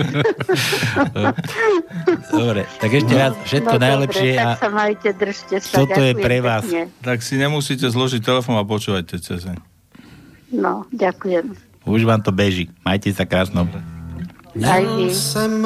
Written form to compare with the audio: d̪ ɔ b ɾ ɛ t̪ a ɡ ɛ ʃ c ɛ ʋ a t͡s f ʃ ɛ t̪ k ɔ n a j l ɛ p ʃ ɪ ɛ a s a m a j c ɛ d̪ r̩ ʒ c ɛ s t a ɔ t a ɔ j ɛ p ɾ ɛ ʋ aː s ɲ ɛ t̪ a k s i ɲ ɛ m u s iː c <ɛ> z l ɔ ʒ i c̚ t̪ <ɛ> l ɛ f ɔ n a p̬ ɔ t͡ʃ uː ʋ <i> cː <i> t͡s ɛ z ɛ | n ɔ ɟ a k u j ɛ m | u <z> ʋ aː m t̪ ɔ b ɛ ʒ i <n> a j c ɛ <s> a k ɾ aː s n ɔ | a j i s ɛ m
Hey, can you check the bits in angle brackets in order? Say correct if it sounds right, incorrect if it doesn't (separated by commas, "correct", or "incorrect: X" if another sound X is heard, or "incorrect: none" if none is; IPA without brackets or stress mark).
correct, correct, incorrect: a, incorrect: ɛ, incorrect: ʒ, incorrect: m, correct